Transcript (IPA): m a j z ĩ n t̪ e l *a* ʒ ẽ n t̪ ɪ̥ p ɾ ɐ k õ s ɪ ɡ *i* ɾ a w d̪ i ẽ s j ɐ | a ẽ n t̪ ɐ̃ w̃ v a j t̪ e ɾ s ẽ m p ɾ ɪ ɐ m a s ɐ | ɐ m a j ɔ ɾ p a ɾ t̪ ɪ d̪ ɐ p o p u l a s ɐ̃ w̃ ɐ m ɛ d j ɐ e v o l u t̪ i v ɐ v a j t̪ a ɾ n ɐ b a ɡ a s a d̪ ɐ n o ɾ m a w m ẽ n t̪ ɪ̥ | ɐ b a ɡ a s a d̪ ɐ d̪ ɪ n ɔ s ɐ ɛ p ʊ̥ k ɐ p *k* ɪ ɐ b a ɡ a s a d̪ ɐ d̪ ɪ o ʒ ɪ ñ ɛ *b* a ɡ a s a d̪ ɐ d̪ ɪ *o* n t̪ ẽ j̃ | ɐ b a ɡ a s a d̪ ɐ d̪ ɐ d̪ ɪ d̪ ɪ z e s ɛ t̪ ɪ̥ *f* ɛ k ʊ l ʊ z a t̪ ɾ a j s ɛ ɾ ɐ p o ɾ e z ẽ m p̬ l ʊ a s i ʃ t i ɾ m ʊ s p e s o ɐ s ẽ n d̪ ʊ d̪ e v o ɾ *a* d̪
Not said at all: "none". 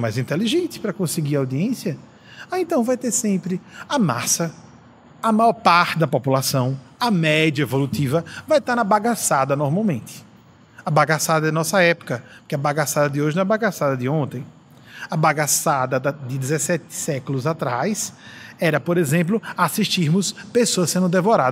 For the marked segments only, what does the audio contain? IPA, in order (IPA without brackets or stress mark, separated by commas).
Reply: i, i, k, b, õ, s, a